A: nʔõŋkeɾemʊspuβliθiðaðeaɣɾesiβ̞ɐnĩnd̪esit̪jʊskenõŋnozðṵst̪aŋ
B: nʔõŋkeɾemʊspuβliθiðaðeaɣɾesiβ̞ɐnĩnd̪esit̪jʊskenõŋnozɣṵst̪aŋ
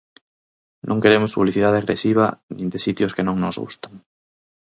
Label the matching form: B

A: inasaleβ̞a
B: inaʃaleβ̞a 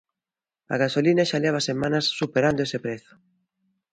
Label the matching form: B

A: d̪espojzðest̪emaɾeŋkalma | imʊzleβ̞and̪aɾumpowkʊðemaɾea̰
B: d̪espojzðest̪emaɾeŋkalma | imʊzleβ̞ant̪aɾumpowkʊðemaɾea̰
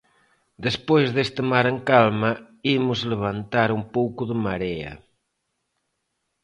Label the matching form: B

